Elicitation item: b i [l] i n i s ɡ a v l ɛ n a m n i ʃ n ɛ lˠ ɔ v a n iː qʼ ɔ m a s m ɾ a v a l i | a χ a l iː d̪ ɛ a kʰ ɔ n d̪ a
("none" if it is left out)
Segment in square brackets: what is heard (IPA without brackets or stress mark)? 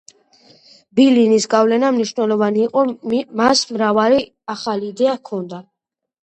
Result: l